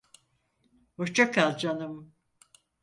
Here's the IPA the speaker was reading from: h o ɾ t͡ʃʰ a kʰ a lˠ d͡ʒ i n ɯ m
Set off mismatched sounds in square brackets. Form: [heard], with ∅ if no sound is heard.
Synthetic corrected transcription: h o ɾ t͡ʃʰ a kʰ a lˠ d͡ʒ [a] n ɯ m